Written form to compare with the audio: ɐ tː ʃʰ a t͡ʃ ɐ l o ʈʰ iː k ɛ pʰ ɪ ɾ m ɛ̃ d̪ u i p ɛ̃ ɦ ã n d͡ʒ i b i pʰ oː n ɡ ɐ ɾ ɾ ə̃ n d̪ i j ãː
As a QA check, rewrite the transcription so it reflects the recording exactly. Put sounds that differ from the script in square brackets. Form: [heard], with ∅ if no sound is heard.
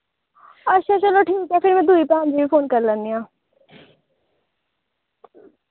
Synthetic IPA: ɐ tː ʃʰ a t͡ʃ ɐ l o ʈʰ iː k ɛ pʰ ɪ ɾ m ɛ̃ d̪ u i p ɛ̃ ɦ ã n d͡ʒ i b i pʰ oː n [k] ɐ ɾ [l] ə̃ n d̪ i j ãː

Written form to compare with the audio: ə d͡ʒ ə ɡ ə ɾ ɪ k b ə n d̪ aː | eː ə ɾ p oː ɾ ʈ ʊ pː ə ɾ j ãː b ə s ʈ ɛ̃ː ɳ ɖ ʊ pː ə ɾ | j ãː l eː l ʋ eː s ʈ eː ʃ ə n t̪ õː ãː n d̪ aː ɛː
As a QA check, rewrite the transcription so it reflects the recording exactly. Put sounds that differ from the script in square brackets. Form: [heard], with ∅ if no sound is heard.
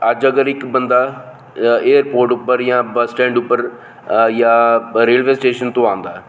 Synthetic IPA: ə d͡ʒ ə ɡ ə ɾ ɪ k b ə n d̪ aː | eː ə ɾ p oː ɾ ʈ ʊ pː ə ɾ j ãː b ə s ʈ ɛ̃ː ɳ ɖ ʊ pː ə ɾ | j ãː [ɾ] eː l ʋ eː s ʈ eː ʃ ə n t̪ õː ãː n d̪ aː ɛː

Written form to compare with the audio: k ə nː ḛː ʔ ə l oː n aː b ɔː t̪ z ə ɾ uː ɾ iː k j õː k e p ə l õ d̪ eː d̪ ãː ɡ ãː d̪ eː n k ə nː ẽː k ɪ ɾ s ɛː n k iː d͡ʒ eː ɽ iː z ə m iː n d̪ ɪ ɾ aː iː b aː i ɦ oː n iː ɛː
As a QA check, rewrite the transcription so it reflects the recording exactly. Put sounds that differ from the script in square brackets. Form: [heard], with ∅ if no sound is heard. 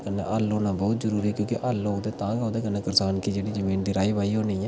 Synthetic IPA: k ə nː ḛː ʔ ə l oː n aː b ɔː t̪ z ə ɾ uː ɾ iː k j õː k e [ʔ] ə l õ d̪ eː [t̪] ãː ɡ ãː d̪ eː [∅] k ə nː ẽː k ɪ ɾ s [aː] n k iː d͡ʒ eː ɽ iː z ə m iː n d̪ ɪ ɾ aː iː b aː i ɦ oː n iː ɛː

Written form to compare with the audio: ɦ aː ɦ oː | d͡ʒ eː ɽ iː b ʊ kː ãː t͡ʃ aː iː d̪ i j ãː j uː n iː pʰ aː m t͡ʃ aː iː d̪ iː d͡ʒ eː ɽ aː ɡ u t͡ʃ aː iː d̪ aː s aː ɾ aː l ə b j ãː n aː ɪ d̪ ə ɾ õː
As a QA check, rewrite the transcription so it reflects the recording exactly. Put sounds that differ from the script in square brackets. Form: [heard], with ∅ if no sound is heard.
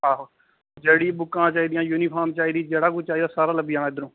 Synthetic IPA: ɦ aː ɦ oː | d͡ʒ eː ɽ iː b ʊ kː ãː t͡ʃ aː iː d̪ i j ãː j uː n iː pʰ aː m t͡ʃ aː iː d̪ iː d͡ʒ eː ɽ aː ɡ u t͡ʃ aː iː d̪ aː s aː ɾ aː l ə b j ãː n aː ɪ d̪ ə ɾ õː

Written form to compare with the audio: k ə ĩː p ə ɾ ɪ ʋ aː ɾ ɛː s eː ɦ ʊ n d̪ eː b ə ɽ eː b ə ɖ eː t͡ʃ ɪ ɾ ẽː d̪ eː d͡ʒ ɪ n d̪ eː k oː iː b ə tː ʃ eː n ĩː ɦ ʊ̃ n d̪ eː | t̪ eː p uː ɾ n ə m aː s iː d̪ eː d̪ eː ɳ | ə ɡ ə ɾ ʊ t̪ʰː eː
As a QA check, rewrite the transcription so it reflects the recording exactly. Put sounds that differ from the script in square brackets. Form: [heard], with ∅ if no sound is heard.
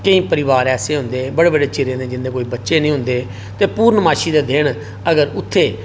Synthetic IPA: k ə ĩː p ə ɾ ɪ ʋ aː ɾ ɛː s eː ɦ ʊ n d̪ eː b ə ɽ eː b ə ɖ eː t͡ʃ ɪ ɾ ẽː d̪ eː d͡ʒ ɪ n d̪ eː k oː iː b ə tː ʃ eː n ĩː ɦ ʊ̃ n d̪ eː | t̪ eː p uː ɾ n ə m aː [ʃ] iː d̪ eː d̪ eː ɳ | ə ɡ ə ɾ ʊ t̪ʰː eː

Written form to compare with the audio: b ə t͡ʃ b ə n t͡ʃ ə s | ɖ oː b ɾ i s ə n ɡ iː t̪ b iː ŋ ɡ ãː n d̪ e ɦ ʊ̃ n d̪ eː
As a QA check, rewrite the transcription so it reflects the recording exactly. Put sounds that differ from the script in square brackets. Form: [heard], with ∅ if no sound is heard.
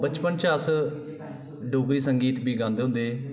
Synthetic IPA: b ə t͡ʃ [p] ə n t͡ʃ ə s | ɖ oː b ɾ [iː] s ə [ŋ] ɡ iː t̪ b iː [∅] ɡ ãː n d̪ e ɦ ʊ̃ n d̪ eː

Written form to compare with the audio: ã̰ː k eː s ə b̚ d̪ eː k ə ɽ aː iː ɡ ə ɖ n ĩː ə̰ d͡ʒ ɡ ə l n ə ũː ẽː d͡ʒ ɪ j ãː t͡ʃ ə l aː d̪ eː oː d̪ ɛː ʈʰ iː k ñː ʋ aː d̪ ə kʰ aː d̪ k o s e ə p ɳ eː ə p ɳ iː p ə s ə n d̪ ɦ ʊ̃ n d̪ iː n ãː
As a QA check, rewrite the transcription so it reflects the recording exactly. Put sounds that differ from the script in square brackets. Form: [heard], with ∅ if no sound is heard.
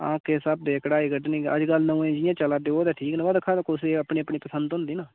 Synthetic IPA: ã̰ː k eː s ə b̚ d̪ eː k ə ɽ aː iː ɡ ə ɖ n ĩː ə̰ d͡ʒ ɡ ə l n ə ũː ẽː d͡ʒ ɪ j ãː t͡ʃ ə l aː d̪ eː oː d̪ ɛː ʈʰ iː k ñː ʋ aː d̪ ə kʰ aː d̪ k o s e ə p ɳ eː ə p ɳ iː p ə s ə n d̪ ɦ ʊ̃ n d̪ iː n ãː

